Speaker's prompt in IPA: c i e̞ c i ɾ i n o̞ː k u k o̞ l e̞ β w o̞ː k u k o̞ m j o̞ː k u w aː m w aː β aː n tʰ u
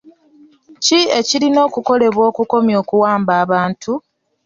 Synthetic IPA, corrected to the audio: c i e̞ c i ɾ i n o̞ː k u k o̞ l e̞ β w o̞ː k u k o̞ m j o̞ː k u w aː m b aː β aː n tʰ u